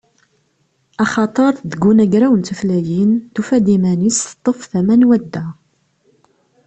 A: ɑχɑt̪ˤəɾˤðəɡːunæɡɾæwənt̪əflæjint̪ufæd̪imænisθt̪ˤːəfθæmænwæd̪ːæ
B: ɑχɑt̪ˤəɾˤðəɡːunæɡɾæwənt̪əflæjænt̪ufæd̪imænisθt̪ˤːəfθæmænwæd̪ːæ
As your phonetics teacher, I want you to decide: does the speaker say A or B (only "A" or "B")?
A